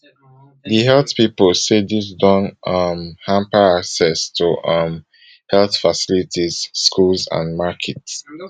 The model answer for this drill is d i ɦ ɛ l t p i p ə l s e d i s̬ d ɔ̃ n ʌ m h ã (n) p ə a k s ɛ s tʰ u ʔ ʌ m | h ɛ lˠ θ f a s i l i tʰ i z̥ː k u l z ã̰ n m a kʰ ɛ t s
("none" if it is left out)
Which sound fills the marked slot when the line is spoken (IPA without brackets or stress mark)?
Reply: m